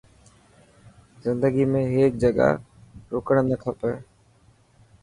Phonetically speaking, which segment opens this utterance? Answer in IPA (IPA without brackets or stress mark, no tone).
z